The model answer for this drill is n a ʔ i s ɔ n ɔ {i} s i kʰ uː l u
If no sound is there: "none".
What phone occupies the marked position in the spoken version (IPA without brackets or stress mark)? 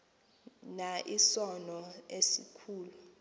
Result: e